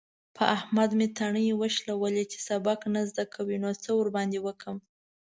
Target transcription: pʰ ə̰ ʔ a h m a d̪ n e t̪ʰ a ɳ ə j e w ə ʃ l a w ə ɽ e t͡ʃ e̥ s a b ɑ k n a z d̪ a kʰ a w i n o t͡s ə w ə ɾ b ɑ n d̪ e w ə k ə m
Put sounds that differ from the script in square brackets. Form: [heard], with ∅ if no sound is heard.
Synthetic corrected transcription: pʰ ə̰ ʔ a h m a d̪ [m] e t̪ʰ a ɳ ə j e w ə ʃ l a w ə [l] e t͡ʃ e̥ s a b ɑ k n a z d̪ a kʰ a w i n o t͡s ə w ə ɾ b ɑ n d̪ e w ə k ə m